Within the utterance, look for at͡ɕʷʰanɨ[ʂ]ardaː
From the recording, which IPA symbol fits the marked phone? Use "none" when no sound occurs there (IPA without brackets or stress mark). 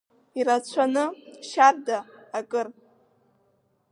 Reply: ʃ